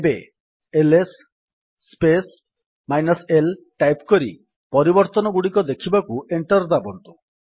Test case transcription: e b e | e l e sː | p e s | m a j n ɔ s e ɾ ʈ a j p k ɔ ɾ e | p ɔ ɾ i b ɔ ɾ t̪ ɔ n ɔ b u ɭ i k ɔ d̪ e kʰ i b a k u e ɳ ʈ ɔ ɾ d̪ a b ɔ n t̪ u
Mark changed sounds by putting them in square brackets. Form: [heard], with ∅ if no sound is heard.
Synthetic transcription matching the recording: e b e | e l e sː | p e s | m a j n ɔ s e [l] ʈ a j p k ɔ ɾ [i] | p ɔ ɾ i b ɔ ɾ t̪ ɔ n ɔ [ɡ] u [ɽ] i k ɔ d̪ e kʰ i b a k u e ɳ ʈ ɔ ɾ d̪ a b ɔ n t̪ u